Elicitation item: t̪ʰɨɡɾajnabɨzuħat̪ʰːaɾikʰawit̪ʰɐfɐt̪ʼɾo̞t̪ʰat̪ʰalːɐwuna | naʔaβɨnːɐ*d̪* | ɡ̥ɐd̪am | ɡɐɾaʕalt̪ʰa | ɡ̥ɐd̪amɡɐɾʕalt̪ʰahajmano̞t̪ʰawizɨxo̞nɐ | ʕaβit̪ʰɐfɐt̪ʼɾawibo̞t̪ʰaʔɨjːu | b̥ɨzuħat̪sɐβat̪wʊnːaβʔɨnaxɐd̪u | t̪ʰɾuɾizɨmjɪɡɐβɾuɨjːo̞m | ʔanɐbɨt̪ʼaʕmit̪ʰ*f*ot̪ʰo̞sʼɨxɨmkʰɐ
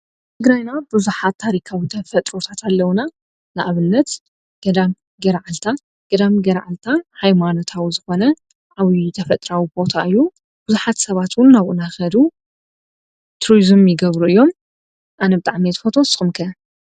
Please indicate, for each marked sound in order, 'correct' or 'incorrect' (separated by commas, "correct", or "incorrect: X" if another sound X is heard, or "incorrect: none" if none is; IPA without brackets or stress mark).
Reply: incorrect: t̪, correct